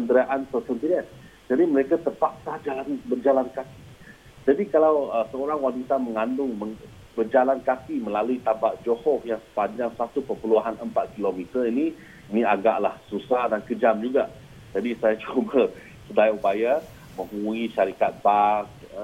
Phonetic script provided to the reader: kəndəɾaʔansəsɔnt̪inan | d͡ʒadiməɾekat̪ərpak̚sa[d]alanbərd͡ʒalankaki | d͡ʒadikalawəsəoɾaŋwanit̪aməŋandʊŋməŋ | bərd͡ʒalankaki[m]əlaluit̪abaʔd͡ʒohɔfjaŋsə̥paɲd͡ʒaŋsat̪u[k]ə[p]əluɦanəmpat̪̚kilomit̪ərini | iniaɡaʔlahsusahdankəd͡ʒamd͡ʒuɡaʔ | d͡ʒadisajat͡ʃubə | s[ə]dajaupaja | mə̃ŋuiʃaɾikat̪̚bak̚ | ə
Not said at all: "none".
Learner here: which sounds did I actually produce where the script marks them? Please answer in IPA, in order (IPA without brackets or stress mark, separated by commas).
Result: d͡ʒ, m, p, p, ə